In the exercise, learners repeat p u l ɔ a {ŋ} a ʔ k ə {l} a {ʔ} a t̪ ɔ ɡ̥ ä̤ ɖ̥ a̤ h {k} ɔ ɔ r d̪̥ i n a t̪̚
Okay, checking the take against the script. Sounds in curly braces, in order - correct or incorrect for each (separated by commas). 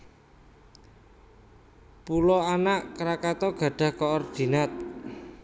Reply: incorrect, incorrect, incorrect, correct